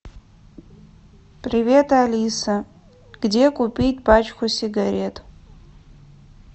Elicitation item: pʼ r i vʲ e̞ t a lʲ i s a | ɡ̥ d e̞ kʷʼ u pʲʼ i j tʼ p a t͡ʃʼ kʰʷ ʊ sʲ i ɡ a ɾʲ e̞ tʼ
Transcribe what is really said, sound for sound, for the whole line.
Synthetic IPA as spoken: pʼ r i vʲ e̞ t a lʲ i s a | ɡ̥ d e̞ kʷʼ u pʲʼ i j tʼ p a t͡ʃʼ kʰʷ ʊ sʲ i ɡ a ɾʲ e̞ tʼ